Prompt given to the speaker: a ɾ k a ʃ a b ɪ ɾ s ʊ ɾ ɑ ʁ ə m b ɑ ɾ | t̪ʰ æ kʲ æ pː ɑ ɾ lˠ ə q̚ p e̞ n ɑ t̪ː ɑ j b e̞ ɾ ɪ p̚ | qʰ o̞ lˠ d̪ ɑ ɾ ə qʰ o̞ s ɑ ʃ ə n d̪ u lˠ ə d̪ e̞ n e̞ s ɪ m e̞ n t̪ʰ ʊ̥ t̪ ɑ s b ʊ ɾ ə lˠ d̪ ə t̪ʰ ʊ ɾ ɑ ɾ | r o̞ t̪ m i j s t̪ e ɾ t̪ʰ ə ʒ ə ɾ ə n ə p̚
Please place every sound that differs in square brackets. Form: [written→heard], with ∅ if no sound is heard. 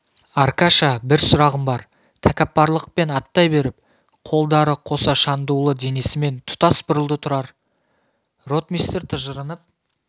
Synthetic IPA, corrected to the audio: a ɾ k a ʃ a b ɪ ɾ s ʊ ɾ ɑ ʁ ə m b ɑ ɾ | t̪ʰ æ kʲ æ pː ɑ ɾ lˠ ə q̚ p e̞ n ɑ t̪ː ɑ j b e̞ ɾ ɪ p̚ | qʰ o̞ lˠ d̪ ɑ ɾ ə qʰ o̞ s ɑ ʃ [ə→ɑ] n d̪ u lˠ ə d̪ e̞ n e̞ s ɪ m e̞ n t̪ʰ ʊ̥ t̪ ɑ s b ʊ ɾ ə lˠ d̪ ə t̪ʰ ʊ ɾ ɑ ɾ | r o̞ t̪ m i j s t̪ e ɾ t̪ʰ ə ʒ ə ɾ ə n ə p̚